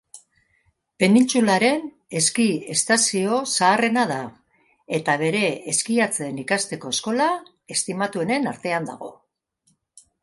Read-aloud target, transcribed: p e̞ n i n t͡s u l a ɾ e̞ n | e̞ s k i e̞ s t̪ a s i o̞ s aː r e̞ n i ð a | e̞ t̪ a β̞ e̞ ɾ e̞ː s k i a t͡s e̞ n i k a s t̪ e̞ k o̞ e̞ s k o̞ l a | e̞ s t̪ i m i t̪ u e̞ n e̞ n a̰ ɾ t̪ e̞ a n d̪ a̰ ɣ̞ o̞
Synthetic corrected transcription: p e̞ n i n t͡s u l a ɾ e̞ n | e̞ s k i e̞ s t̪ a s i o̞ s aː r e̞ n a ð a | e̞ t̪ a β̞ e̞ ɾ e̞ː s k i a t͡s e̞ n i k a s t̪ e̞ k o̞ e̞ s k o̞ l a | e̞ s t̪ i m a t̪ u e̞ n e̞ n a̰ ɾ t̪ e̞ a n d̪ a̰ ɣ̞ o̞